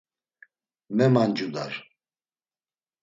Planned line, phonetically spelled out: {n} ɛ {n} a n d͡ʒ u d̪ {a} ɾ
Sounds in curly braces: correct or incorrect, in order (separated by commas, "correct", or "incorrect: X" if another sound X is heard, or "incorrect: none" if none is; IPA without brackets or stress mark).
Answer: incorrect: m, incorrect: m, correct